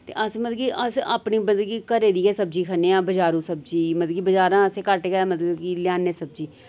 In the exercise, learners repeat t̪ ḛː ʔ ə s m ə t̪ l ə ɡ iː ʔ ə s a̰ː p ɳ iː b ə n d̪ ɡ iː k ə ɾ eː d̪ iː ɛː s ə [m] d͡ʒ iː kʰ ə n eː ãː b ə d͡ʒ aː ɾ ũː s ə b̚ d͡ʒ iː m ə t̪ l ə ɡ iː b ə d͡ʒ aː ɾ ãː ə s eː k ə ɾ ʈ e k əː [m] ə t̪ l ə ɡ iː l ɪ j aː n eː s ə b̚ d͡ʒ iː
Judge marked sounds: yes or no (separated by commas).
no, yes